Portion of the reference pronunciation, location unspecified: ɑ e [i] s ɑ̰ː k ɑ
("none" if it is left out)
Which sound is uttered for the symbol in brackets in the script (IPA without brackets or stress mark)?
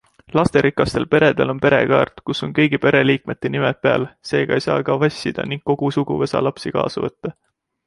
j